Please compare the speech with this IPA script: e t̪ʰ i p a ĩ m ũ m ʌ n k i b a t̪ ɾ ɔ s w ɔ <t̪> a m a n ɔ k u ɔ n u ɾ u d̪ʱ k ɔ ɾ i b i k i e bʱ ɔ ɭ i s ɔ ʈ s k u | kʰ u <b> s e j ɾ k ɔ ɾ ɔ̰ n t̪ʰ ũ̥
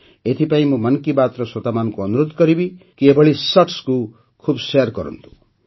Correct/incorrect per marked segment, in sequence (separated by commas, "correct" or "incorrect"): correct, correct